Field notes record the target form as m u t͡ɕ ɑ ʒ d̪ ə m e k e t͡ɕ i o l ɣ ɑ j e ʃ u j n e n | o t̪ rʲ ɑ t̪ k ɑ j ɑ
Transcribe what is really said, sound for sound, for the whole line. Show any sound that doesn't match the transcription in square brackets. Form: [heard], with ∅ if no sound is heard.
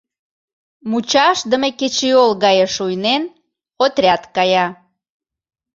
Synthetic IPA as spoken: m u t͡ɕ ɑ [ʃ] d̪ ə m e k e t͡ɕ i o l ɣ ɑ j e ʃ u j n e n | o t̪ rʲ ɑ t̪ k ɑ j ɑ